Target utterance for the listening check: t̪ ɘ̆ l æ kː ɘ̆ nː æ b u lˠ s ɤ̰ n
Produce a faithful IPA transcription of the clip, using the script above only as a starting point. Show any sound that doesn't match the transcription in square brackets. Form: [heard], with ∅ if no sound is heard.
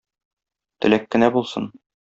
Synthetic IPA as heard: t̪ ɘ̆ l æ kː ɘ̆ [n] æ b u lˠ s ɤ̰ n